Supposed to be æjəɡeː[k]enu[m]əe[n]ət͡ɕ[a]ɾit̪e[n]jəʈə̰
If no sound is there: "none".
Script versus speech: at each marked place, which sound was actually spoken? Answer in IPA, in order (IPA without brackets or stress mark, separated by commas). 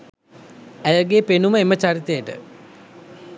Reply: p, m, m, a, none